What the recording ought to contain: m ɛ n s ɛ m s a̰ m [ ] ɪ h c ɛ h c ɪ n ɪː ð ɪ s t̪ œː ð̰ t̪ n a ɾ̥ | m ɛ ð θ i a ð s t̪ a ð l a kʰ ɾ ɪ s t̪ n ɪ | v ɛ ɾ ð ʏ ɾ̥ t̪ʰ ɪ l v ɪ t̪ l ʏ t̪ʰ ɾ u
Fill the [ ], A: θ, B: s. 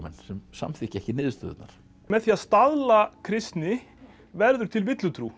A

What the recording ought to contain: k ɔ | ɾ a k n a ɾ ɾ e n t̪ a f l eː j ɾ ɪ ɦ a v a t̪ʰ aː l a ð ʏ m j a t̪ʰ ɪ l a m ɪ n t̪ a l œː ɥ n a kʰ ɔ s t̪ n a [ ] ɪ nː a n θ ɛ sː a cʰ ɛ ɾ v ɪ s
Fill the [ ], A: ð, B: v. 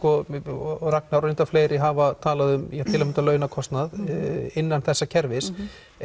A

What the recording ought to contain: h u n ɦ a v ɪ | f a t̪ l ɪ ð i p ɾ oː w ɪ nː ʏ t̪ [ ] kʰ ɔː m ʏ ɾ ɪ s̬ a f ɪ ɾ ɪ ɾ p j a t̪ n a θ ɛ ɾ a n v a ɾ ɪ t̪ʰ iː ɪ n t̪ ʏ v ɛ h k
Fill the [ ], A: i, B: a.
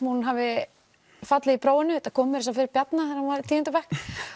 B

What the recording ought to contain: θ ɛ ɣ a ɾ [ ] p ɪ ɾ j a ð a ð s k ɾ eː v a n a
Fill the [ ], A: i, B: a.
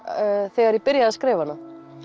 A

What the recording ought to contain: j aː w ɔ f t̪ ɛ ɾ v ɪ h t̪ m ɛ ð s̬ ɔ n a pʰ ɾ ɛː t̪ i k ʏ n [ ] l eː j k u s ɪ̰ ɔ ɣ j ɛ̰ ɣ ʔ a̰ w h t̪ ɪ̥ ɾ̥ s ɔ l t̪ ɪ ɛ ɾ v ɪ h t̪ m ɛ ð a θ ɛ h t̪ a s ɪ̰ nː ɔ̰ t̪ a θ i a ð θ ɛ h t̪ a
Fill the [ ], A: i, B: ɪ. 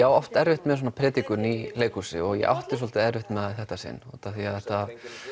A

